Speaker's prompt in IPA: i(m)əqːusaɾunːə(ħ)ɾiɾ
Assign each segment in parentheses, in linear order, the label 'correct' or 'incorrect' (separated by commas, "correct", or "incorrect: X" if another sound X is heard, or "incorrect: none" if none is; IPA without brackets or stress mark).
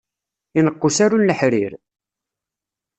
incorrect: n, correct